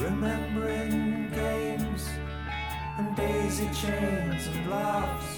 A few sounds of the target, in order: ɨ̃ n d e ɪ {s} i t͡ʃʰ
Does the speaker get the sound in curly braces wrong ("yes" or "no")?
yes